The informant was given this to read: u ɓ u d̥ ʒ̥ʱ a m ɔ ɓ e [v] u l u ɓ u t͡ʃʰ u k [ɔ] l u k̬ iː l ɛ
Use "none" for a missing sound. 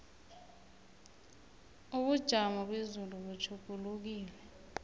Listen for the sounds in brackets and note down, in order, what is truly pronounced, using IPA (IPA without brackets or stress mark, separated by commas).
z, u